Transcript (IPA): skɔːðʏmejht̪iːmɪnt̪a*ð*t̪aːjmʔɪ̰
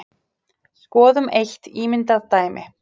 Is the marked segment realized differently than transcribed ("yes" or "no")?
no